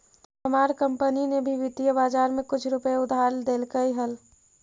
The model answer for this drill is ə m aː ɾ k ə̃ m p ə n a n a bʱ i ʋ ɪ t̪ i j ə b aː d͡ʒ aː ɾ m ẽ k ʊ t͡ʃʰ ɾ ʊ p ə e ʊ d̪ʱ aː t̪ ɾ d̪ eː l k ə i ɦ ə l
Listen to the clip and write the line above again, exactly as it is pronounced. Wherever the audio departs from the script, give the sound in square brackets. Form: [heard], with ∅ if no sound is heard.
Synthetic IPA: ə m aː ɾ k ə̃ m p ə n [i] n [e] bʱ i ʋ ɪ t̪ i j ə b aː d͡ʒ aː ɾ m ẽ k ʊ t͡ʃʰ ɾ ʊ p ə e ʊ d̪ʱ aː [∅] ɾ d̪ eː l k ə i ɦ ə l